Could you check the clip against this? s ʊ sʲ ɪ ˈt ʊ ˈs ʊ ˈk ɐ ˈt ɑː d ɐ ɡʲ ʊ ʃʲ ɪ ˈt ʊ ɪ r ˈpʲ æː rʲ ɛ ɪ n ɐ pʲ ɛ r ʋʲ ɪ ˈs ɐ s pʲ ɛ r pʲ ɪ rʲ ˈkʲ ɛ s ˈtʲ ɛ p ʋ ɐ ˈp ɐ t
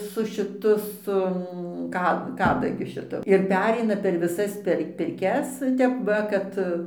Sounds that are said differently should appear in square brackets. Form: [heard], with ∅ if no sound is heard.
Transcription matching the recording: s ʊ [ʃʲ] ɪ ˈt ʊ ˈs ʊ ˈk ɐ [ˈk] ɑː d ɐ ɡʲ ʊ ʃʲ ɪ ˈt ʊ ɪ r ˈpʲ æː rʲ ɛ ɪ n ɐ pʲ ɛ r ʋʲ ɪ ˈs ɐ s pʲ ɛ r pʲ ɪ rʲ ˈkʲ ɛ s ˈtʲ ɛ p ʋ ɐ [ˈk] ɐ t

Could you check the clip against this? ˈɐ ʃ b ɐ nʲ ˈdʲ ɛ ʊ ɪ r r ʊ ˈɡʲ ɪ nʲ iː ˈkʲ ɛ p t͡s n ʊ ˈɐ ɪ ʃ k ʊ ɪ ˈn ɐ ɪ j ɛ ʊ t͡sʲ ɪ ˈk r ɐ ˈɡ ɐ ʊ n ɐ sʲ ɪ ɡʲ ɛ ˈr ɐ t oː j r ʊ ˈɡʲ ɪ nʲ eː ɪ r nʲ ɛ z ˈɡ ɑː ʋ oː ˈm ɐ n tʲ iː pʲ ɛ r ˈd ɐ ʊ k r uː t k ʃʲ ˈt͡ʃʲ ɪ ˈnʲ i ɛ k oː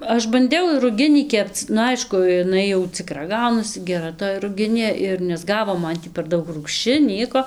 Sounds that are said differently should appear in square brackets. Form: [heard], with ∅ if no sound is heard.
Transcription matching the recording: ˈɐ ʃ b ɐ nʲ ˈdʲ ɛ ʊ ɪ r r ʊ ˈɡʲ ɪ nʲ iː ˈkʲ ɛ p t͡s n ʊ ˈɐ ɪ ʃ k ʊ ɪ ˈn ɐ ɪ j ɛ ʊ t͡sʲ ɪ ˈk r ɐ ˈɡ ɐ ʊ n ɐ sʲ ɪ ɡʲ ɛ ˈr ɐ t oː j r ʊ ˈɡʲ ɪ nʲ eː ɪ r nʲ ɛ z ˈɡ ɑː ʋ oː ˈm ɐ n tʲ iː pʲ ɛ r ˈd ɐ ʊ k r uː [∅] k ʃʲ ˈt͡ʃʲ ɪ ˈnʲ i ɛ k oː

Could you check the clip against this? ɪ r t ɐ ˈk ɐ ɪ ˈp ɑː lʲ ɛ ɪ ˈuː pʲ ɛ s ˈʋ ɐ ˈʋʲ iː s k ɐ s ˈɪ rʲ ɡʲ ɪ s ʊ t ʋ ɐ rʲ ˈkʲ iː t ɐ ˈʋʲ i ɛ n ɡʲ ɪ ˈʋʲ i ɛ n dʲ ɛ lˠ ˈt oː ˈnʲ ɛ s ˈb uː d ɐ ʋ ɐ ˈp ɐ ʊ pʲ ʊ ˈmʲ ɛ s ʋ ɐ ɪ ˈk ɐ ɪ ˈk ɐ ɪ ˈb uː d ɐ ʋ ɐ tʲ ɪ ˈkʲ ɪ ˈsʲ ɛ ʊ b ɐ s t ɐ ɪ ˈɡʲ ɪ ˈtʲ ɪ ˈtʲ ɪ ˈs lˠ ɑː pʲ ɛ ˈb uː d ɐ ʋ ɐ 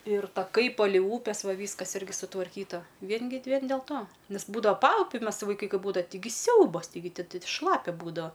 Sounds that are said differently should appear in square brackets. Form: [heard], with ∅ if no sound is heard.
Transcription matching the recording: ɪ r t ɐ ˈk ɐ ɪ ˈp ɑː lʲ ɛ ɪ ˈuː pʲ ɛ s ˈʋ ɐ ˈʋʲ iː s k ɐ s ˈɪ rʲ ɡʲ ɪ s ʊ t ʋ ɐ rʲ ˈkʲ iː t ɐ ˈʋʲ i ɛ n ɡʲ ɪ ˈʋʲ i ɛ n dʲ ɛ lˠ ˈt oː ˈnʲ ɛ s ˈb uː d ɐ ʋ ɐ ˈp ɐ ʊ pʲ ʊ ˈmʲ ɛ s ʋ ɐ ɪ ˈk ɐ ɪ ˈk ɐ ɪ ˈb uː d ɐ ʋ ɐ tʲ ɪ [ˈɡʲ] ɪ ˈsʲ ɛ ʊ b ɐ s t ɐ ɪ ˈɡʲ ɪ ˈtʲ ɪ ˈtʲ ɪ [ˈʃ] lˠ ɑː pʲ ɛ ˈb uː d ɐ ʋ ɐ

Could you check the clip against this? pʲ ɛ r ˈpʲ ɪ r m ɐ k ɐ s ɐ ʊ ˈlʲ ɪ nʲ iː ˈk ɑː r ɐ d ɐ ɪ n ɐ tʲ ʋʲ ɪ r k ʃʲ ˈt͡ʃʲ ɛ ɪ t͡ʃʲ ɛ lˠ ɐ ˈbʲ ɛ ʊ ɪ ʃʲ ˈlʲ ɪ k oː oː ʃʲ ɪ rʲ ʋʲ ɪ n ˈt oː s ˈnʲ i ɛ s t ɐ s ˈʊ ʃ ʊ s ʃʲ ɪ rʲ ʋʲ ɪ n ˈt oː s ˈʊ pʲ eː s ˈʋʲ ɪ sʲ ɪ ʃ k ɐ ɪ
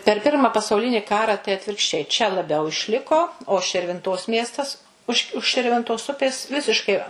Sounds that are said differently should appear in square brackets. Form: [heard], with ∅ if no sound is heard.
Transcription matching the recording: pʲ ɛ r ˈpʲ ɪ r m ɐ [p] ɐ s ɐ ʊ ˈlʲ ɪ nʲ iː ˈk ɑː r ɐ [t] ɐ ɪ [∅] ɐ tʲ ʋʲ ɪ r k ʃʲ ˈt͡ʃʲ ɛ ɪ t͡ʃʲ ɛ lˠ ɐ ˈbʲ ɛ ʊ ɪ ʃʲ ˈlʲ ɪ k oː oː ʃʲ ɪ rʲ ʋʲ ɪ n ˈt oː s [ˈmʲ] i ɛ s t ɐ s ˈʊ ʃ ʊ [ʃ] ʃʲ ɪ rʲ ʋʲ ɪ n ˈt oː s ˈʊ pʲ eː s ˈʋʲ ɪ sʲ ɪ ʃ k ɐ ɪ

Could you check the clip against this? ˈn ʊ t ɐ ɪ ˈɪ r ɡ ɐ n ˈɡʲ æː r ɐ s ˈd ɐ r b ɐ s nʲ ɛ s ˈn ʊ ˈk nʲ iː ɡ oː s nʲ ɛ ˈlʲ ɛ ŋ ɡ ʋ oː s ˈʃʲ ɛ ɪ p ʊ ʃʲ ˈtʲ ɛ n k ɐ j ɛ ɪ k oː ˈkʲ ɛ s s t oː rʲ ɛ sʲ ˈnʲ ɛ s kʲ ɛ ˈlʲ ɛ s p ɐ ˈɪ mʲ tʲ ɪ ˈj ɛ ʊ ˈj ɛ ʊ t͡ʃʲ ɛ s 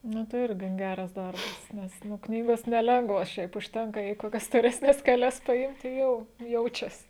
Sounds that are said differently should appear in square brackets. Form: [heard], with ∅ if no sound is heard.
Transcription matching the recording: ˈn ʊ t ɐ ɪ ˈɪ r ɡ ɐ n ˈɡʲ æː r ɐ s ˈd ɐ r b ɐ s nʲ ɛ s ˈn ʊ ˈk nʲ iː ɡ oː s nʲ ɛ ˈlʲ ɛ ŋ ɡ ʋ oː s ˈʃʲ ɛ ɪ p ʊ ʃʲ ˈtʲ ɛ [ŋ] k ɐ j ɛ ɪ k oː ˈkʲ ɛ s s t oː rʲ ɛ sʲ ˈnʲ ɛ s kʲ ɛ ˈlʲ ɛ s p ɐ ˈɪ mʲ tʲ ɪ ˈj ɛ ʊ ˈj ɛ ʊ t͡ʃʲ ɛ s

